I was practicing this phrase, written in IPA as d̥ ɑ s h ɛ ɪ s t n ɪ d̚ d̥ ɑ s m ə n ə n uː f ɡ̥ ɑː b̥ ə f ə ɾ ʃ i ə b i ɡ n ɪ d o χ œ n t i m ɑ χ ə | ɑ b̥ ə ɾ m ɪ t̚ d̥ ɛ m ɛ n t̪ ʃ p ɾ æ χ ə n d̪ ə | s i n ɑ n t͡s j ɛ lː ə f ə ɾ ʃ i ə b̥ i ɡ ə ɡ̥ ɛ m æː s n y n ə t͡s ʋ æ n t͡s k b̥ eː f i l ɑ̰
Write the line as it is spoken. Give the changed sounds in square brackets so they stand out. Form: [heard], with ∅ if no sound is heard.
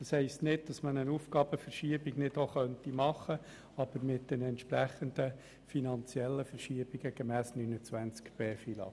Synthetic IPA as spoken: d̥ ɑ s h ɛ ɪ s t n ɪ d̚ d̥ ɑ s m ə n ə n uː f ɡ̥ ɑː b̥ ə f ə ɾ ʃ i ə b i ɡ n ɪ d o χ œ n t i m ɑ χ ə | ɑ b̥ ə ɾ m ɪ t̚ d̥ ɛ [n] ɛ n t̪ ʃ p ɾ æ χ ə n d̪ ə | [f] i n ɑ n t͡s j ɛ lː ə f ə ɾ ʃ i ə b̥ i ɡ ə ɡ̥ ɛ m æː s n y n ə t͡s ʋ æ n t͡s k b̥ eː f i l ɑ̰